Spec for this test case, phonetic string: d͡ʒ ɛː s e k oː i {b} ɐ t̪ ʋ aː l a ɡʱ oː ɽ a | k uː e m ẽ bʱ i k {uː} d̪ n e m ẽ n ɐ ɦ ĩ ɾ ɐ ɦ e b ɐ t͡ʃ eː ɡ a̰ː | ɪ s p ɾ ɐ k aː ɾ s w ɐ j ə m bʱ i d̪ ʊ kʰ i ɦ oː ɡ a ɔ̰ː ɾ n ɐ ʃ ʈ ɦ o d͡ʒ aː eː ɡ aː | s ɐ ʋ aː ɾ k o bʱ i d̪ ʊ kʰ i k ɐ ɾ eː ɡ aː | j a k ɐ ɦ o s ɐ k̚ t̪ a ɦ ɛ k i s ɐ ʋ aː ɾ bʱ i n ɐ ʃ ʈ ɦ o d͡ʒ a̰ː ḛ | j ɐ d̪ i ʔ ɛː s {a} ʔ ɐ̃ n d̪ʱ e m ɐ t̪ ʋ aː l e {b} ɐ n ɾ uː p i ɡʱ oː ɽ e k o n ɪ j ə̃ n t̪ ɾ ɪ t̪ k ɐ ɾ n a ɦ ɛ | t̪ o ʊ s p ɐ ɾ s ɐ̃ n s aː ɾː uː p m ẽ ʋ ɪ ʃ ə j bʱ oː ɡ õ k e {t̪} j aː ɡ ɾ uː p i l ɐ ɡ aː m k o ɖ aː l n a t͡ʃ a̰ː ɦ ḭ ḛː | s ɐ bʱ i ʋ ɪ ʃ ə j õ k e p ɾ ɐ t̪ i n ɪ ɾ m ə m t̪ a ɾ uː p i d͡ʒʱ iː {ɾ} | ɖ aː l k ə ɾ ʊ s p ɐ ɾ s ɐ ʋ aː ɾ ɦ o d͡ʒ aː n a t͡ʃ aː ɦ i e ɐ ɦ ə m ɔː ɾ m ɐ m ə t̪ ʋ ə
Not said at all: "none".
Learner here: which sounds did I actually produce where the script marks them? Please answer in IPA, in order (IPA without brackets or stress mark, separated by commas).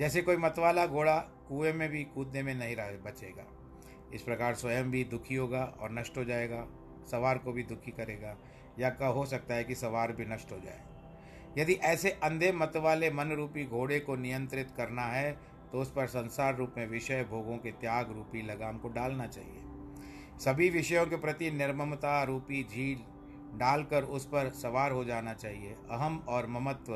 m, uː, e, m, t̪, l